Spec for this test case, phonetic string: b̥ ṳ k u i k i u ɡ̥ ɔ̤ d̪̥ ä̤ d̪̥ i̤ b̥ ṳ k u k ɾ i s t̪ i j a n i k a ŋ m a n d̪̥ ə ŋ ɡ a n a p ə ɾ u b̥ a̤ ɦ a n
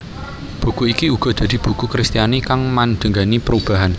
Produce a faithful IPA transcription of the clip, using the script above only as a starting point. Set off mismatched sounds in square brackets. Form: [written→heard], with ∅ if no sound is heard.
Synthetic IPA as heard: b̥ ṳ k u i k i u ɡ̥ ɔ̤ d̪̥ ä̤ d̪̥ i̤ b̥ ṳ k u k ɾ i s t̪ i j a n i k a ŋ m a n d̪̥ ə ŋ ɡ a n [a→i] p ə ɾ u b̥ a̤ ɦ a n